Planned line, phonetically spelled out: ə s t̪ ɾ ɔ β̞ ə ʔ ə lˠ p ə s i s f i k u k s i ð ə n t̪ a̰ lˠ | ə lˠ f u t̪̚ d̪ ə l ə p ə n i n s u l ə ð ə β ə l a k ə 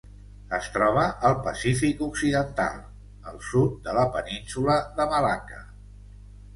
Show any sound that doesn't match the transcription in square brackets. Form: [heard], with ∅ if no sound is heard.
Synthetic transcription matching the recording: ə s t̪ ɾ ɔ β̞ ə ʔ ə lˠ p ə s i [∅] f i k u k s i ð ə n t̪ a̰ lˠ | ə lˠ [s] u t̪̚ d̪ ə l ə p ə n i n s u l ə ð ə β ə l a k ə

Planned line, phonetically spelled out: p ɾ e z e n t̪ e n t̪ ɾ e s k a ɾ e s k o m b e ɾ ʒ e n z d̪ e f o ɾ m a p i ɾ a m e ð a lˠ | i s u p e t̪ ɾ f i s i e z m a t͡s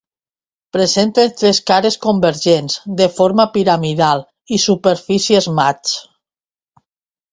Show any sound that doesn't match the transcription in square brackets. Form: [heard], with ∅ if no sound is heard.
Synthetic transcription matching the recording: p ɾ e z e n t̪ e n t̪ ɾ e s k a ɾ e s k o m b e ɾ ʒ e n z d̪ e f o ɾ m a p i ɾ a m [i] ð a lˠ | i s u p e [∅] ɾ f i s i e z m a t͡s

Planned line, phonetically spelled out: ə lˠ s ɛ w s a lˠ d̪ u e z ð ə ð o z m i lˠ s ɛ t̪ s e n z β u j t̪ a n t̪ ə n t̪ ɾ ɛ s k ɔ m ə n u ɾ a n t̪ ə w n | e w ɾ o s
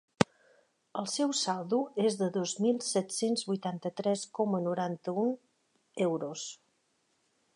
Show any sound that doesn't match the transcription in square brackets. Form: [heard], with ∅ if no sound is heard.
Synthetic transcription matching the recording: ə lˠ s ɛ w s a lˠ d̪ u e z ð ə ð o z m i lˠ s ɛ t̪ s e n z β u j t̪ a n t̪ ə [∅] t̪ ɾ ɛ s k ɔ m ə n u ɾ a n t̪ ə [u] n | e w ɾ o s

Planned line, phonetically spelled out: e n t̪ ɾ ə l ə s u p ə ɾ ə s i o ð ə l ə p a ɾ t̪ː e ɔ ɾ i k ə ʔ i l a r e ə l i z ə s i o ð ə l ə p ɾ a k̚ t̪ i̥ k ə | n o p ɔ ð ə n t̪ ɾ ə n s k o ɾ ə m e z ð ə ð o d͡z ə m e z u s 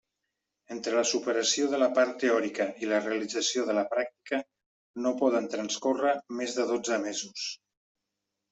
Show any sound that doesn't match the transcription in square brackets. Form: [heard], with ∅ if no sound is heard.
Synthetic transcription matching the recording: e n t̪ ɾ ə l ə s u p ə ɾ ə s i o ð ə l ə p a ɾ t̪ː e ɔ ɾ i k ə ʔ i l [ə] r e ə l i [d͡z] ə s i o ð ə l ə p ɾ a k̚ t̪ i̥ k ə | n o p ɔ ð ə n t̪ ɾ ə n s k o [r] ə m e z ð ə ð o d͡z ə m e z u s

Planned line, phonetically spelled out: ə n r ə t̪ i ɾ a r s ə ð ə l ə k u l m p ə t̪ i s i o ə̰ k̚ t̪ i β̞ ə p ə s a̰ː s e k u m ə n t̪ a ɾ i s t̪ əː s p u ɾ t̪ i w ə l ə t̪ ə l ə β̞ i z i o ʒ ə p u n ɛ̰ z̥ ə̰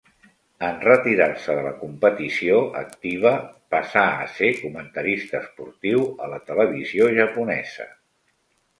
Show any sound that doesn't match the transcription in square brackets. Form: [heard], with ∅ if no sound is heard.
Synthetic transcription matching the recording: ə n r ə t̪ i ɾ a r s ə ð ə l ə k u [∅] m p ə t̪ i s i o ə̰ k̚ t̪ i β̞ ə p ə s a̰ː s e k u m ə n t̪ [ə] ɾ i s t̪ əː s p u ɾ t̪ i w ə l ə t̪ ə l ə β̞ i z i o ʒ ə p u n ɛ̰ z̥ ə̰

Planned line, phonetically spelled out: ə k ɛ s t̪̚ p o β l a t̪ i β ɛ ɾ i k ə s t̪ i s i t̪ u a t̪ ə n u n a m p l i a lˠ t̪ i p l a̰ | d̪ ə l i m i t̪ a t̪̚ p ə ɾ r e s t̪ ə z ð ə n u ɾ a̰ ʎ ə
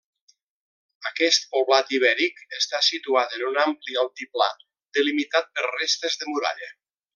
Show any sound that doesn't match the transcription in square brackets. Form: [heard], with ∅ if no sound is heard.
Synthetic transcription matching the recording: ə k ɛ s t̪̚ p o β l a t̪ i β ɛ ɾ i k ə s t̪ [a] s i t̪ u a t̪ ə n u n a m p l i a lˠ t̪ i p l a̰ | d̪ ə l i m i t̪ a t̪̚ p ə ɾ r e s t̪ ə z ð ə [m] u ɾ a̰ ʎ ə

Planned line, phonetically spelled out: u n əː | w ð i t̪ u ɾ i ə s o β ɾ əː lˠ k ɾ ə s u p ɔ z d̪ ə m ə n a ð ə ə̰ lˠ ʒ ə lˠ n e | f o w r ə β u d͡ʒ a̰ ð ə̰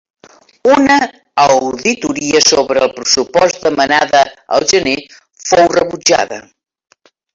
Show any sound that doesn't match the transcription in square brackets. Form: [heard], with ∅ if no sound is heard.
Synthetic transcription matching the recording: u n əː | w ð i t̪ u ɾ i ə s o β ɾ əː lˠ [p] ɾ ə s u p ɔ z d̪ ə m ə n a ð ə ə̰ lˠ ʒ ə [∅] n e | f o w r ə β u d͡ʒ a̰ ð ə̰

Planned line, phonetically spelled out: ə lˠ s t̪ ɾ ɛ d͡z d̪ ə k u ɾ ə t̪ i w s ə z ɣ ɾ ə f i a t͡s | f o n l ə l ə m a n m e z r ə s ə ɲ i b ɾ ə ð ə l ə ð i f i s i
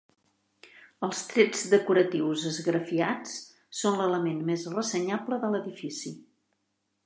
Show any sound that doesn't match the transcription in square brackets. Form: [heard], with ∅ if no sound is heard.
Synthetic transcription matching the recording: ə lˠ s t̪ ɾ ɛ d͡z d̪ ə k u ɾ ə t̪ i w [z] ə z ɣ ɾ ə f i a t͡s | [s] o n l ə l ə m [e] n m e z r ə s ə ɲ [a] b [l] ə ð ə l ə ð i f i s i

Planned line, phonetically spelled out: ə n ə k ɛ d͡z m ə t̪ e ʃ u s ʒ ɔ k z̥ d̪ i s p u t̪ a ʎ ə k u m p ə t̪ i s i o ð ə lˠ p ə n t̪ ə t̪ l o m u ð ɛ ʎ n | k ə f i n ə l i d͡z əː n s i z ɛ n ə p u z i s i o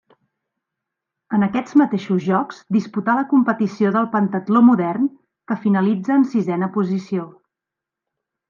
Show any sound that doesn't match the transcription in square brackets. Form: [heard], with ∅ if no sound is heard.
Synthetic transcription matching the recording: ə n ə k ɛ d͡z m ə t̪ e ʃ u [z] ʒ ɔ k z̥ d̪ i s p u t̪ a [l] ə k u m p ə t̪ i s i o ð ə lˠ p ə n t̪ ə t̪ l o m u ð ɛ [r] n | k ə f i n ə l i d͡z əː n s i z ɛ n ə p u z i s i o

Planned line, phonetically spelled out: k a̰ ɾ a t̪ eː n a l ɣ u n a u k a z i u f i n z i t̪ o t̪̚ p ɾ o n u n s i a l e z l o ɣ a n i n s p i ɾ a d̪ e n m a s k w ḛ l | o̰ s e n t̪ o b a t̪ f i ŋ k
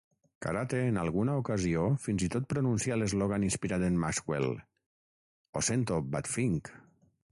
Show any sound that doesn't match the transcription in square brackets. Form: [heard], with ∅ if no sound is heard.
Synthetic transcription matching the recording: k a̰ ɾ a t̪ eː n a l ɣ u n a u k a z i [o] f i n z i t̪ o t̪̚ p ɾ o n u n s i a l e z l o ɣ a n i n s p i ɾ a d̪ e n m a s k w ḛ l | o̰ s e n t̪ o b a t̪ f i ŋ k

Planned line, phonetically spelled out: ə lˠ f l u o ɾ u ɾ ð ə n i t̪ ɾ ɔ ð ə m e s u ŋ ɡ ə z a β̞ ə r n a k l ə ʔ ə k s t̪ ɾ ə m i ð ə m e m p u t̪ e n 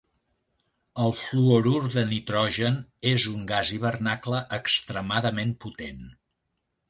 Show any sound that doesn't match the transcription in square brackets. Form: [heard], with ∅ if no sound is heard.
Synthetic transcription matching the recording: ə lˠ f l u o ɾ u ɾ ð ə n i t̪ ɾ ɔ [ʒ] ə [n] e [z] u ŋ ɡ [a] z [i] β̞ ə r n a k l ə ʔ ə k s t̪ ɾ ə m [a] ð ə m e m p u t̪ e n

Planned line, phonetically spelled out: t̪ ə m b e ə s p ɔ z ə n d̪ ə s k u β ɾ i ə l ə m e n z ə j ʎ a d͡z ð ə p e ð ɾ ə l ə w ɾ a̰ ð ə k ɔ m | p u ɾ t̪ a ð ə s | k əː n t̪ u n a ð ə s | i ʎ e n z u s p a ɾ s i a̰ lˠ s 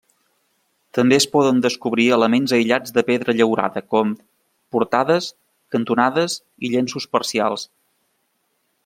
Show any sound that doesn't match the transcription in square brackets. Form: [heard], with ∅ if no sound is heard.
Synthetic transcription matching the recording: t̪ ə m b e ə s p ɔ [ð] ə n d̪ ə s k u β ɾ i ə l ə m e n z ə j ʎ a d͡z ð ə p e ð ɾ ə [ʎ] ə w ɾ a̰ ð ə k ɔ m | p u ɾ t̪ a ð ə s | k [ə] n t̪ u n a ð ə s | i ʎ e n [s] u s p [ə] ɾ s i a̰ lˠ s

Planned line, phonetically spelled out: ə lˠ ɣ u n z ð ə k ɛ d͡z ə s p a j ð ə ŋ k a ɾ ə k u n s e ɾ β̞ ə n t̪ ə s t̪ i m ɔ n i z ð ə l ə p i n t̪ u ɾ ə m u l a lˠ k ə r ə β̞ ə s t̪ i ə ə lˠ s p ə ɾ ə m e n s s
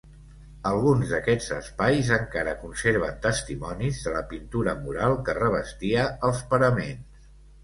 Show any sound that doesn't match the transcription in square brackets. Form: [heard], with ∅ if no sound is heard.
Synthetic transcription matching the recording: ə lˠ ɣ u n z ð ə k ɛ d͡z ə s p a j [z] ə ŋ k a ɾ ə k u n s e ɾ β̞ ə n t̪ ə s t̪ i m ɔ n i z ð ə l ə p i n t̪ u ɾ ə m u [ɾ] a lˠ k ə r ə β̞ ə s t̪ i ə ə lˠ s p ə ɾ ə m e n s s

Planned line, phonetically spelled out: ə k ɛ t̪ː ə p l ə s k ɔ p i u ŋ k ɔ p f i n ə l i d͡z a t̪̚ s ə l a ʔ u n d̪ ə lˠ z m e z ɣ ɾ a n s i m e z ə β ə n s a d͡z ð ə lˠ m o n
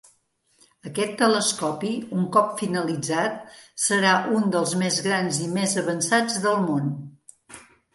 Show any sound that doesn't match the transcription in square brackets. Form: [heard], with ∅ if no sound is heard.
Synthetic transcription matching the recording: ə k ɛ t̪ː ə [∅] l ə s k ɔ p i u ŋ k ɔ p f i n ə l i d͡z a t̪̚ s ə [ɾ] a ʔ u n d̪ ə lˠ z m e z ɣ ɾ a n [z] i m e z ə β ə n s a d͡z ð ə lˠ m o n

